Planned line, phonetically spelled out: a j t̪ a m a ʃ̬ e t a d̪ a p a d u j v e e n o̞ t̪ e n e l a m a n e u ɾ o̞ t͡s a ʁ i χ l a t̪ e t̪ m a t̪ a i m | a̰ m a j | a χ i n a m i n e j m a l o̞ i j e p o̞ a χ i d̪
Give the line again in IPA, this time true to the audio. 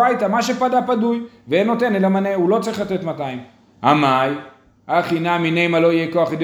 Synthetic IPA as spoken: a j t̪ a m a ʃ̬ e p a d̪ a p a d u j v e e n o̞ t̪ e n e l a m a n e u l o̞ t͡s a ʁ i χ l a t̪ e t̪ m a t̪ a i m | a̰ m a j | a χ i n a m i n e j m a l o̞ i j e k o̞ a χ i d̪